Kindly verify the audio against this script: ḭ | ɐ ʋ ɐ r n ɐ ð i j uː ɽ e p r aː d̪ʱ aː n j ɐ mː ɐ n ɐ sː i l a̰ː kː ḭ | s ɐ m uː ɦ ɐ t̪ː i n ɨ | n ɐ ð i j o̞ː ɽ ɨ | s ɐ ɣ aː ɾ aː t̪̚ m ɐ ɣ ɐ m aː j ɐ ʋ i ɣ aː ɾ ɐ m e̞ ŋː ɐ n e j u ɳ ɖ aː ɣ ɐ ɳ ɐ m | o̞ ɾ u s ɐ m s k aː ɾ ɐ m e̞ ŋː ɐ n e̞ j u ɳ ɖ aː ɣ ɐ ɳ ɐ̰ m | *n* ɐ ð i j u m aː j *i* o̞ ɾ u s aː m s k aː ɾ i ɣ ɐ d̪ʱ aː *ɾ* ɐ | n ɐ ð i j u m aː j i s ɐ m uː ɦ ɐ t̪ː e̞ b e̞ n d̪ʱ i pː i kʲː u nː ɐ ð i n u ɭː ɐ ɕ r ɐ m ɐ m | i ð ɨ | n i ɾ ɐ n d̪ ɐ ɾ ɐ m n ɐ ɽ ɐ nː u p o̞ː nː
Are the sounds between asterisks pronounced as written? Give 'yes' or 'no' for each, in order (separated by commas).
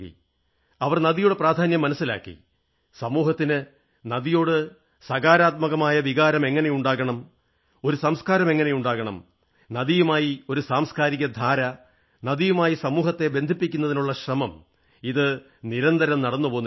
yes, yes, yes